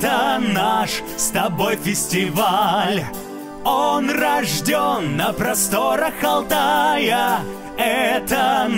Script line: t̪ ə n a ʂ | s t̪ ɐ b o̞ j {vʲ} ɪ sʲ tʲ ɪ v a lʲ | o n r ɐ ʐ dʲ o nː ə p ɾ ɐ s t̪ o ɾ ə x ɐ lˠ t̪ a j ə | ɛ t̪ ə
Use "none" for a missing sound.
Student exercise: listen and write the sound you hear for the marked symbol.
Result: fʲ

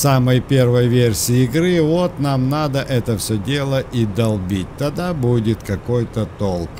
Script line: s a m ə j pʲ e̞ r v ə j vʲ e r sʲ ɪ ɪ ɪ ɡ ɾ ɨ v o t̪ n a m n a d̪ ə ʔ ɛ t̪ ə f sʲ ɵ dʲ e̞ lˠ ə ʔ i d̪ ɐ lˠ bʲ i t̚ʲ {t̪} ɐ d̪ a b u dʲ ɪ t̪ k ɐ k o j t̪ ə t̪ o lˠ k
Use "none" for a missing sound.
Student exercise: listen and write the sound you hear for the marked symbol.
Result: t̪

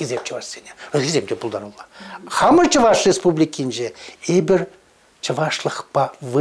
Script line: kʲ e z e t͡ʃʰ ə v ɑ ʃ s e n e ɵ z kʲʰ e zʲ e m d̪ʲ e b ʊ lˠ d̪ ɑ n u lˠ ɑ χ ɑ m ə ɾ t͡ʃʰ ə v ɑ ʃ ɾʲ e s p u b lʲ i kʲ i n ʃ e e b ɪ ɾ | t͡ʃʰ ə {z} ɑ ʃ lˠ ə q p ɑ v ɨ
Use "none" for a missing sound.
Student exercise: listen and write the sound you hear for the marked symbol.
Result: v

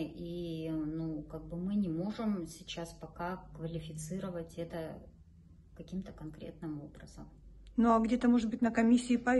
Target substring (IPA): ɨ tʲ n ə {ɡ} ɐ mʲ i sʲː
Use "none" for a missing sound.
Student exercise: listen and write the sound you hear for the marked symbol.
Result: k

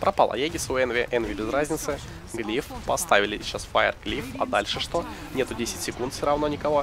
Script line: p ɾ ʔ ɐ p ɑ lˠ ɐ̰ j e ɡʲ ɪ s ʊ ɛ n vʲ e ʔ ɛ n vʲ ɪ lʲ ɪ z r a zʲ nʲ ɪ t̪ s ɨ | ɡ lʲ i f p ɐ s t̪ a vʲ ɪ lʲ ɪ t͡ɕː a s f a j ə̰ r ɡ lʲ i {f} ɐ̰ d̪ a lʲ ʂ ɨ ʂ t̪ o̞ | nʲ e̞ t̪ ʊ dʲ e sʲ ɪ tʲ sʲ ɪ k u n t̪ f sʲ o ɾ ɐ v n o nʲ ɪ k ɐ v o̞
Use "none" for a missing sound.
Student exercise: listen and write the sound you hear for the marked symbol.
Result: f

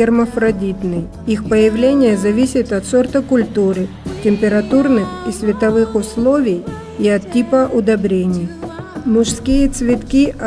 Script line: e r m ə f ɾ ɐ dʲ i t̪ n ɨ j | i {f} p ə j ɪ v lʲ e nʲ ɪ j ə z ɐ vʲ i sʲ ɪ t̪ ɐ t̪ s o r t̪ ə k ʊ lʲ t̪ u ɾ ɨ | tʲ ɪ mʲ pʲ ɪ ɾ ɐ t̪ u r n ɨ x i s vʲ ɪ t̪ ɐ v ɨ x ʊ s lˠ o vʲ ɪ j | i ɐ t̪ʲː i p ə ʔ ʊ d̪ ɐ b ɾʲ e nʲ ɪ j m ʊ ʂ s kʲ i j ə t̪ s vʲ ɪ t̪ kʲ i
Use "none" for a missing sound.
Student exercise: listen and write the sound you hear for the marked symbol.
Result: x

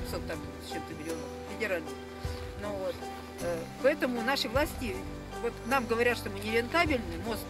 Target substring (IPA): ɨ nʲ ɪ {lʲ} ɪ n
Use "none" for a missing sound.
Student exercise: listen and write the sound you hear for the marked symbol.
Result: ɾʲ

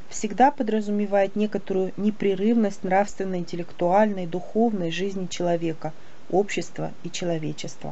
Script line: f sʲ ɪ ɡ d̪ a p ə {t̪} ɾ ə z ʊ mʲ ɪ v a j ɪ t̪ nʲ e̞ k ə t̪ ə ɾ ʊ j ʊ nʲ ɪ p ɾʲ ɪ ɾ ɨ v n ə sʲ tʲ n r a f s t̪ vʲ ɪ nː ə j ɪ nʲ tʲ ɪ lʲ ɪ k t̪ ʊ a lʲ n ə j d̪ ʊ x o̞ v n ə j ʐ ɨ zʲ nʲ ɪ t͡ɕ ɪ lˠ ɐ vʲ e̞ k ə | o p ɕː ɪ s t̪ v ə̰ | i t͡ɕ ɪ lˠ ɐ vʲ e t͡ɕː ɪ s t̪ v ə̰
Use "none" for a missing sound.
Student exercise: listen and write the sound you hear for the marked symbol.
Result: d̪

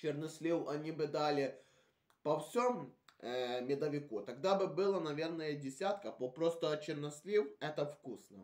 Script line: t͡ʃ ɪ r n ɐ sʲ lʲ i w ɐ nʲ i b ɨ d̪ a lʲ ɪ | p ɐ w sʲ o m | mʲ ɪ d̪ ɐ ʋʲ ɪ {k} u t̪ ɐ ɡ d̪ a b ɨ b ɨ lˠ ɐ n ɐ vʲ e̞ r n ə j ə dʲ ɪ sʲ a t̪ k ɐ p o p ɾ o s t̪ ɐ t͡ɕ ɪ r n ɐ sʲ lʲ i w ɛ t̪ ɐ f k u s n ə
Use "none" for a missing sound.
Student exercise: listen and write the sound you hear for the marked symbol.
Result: k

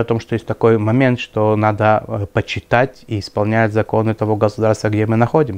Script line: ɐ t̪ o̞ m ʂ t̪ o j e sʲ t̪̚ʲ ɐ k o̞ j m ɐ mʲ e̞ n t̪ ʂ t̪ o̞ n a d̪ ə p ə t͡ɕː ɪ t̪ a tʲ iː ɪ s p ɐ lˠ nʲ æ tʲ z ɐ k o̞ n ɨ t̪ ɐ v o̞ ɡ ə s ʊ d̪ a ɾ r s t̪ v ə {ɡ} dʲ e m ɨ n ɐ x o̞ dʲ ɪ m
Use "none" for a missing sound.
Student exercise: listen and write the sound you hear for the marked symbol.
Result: ɡ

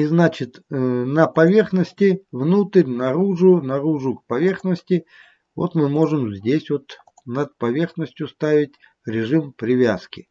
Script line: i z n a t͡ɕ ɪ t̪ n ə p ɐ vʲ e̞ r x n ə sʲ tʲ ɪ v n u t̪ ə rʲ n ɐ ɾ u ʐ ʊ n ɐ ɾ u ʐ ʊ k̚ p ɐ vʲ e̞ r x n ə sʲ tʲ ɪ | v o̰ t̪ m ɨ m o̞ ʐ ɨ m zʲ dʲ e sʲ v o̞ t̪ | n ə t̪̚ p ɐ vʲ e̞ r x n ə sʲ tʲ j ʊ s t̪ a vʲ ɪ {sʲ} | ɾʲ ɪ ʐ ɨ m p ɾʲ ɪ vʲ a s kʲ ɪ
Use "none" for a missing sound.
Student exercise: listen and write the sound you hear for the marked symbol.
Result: tʲ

